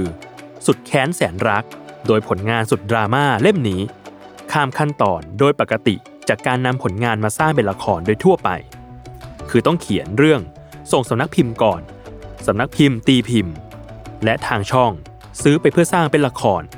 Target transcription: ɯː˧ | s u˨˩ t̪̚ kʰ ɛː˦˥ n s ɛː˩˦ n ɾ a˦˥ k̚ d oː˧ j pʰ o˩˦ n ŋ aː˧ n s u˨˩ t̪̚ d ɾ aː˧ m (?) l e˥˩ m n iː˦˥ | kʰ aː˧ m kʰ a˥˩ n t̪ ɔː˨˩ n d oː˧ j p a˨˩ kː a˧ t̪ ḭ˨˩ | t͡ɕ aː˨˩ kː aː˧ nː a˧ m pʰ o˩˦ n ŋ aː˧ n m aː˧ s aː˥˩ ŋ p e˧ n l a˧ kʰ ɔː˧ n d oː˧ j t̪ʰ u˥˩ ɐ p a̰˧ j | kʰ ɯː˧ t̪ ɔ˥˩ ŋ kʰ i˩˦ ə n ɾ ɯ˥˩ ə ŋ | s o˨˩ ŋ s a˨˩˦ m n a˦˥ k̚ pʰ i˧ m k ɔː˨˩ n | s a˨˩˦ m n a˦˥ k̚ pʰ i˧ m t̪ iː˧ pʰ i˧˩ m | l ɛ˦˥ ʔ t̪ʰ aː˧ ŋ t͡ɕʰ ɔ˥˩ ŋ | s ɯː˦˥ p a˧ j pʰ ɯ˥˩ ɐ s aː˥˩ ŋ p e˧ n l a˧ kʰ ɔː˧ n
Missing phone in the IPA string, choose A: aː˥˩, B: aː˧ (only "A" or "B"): A